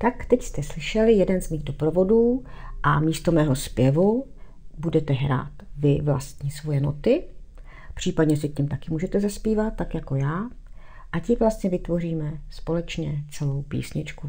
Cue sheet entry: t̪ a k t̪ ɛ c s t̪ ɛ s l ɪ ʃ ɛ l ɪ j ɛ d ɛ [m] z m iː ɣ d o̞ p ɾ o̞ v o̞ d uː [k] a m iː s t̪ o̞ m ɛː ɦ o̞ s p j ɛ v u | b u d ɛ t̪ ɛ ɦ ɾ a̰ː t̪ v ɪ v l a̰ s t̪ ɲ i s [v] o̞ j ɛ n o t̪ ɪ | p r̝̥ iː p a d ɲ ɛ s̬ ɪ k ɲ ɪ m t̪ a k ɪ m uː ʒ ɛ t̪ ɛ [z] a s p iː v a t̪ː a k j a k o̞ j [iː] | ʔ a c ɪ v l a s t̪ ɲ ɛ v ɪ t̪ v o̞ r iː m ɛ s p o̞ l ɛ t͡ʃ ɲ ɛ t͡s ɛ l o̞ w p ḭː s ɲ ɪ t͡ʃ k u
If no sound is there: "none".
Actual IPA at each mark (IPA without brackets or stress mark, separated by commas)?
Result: n, ʔ, v, z, aː